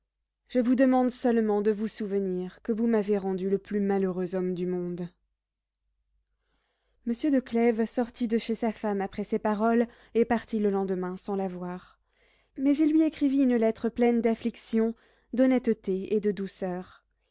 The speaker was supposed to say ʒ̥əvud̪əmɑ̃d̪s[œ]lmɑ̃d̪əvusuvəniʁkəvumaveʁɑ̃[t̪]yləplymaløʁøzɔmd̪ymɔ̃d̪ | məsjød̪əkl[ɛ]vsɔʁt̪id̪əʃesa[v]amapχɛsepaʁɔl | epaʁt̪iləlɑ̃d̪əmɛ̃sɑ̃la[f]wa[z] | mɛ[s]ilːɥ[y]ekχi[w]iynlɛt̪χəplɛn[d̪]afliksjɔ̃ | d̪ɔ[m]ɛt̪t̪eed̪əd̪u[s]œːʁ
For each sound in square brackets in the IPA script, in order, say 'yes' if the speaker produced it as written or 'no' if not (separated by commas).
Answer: yes, no, yes, no, no, no, no, no, no, yes, no, yes